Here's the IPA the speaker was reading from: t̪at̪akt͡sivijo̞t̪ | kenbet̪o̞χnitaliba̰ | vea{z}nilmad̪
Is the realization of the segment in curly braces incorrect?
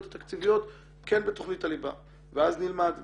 no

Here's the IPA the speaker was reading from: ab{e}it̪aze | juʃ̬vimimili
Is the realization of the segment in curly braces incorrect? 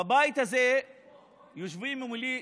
yes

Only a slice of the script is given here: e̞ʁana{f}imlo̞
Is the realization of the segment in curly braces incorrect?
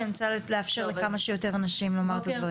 yes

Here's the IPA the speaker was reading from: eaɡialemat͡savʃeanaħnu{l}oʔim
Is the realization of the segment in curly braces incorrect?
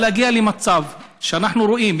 yes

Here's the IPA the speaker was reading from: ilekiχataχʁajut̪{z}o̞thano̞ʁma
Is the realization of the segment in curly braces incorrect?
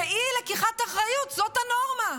no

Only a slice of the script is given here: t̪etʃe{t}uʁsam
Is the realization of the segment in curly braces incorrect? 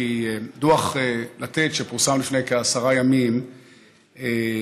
yes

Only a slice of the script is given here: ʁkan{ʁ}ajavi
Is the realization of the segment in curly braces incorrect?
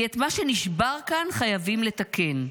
yes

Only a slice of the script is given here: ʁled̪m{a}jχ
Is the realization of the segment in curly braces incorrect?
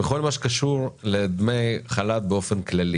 yes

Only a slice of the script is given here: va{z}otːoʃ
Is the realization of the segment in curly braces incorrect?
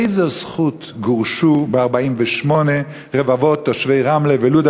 yes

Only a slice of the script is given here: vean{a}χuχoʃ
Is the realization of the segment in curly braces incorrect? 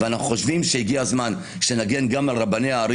no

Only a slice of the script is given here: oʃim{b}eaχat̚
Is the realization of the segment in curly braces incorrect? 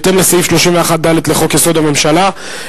yes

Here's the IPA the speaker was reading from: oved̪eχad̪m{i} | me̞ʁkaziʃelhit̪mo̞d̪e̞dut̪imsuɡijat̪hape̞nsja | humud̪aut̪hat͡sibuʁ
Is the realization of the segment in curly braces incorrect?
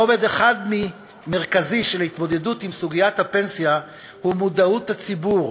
no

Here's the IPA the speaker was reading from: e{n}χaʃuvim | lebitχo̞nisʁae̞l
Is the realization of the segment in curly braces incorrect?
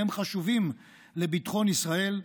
yes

